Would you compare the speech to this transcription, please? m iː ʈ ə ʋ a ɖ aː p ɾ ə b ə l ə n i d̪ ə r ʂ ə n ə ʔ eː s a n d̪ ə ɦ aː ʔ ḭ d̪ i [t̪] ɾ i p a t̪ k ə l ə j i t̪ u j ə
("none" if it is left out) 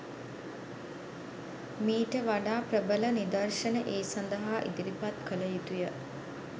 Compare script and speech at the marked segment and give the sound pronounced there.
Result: none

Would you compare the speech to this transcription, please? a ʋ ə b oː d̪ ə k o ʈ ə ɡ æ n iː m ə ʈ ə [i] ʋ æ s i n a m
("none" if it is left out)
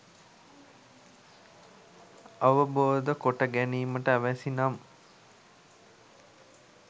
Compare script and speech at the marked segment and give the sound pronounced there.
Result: æ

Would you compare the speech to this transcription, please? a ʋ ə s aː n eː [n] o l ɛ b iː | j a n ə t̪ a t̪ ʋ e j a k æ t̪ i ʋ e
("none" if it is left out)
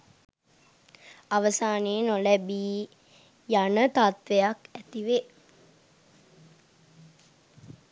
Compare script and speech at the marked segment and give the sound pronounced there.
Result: n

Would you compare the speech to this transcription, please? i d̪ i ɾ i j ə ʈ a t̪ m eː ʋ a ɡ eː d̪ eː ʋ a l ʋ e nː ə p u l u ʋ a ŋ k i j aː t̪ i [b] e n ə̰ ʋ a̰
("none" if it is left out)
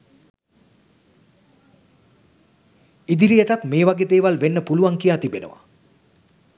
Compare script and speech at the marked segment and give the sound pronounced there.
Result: b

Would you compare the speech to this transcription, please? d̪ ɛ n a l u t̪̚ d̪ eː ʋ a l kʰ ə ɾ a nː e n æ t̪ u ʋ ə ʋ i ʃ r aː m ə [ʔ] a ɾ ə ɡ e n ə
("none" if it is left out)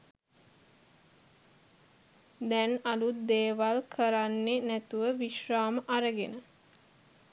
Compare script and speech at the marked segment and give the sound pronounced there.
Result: ʔ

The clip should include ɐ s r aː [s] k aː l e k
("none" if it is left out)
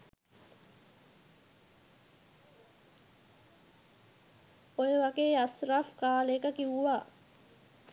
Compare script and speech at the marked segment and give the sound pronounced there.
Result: f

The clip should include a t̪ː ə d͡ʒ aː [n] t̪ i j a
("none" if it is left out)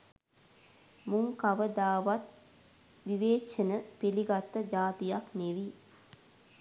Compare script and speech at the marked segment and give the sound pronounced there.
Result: none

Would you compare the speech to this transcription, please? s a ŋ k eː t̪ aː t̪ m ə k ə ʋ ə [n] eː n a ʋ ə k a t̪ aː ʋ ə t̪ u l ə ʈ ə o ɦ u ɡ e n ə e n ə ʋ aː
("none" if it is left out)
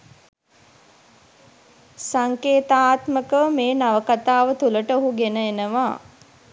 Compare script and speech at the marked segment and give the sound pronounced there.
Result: m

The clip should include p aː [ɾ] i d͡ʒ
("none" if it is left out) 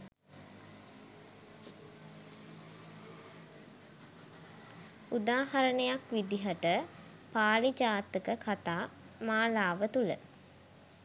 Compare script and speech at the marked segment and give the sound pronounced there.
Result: l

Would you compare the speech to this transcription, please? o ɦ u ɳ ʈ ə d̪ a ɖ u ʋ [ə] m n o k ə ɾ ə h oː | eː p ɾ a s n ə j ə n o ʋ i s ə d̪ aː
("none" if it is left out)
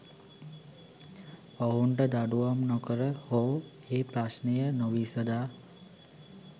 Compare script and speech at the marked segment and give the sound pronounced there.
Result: a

